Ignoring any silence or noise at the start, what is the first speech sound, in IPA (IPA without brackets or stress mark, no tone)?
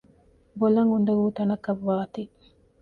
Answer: b